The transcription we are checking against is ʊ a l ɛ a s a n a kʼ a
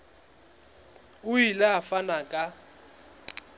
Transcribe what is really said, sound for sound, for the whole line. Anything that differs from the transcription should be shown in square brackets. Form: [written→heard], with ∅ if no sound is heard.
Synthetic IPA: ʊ [a→i] l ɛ a [s→f] a n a kʼ a